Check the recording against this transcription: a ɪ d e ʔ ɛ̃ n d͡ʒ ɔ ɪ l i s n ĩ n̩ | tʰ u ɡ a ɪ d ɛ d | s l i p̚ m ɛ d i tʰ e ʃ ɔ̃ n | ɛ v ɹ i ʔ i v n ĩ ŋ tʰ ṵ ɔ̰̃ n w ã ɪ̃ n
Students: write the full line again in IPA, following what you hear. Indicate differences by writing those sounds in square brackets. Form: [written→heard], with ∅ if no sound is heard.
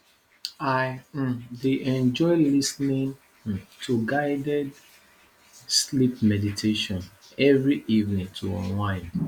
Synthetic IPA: a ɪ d e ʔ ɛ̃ n d͡ʒ ɔ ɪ l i s n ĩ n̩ | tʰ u ɡ a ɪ d ɛ d | s l i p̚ m ɛ d i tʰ e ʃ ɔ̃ n | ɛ v ɹ i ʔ i v n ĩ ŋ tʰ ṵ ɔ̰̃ n w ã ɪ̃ n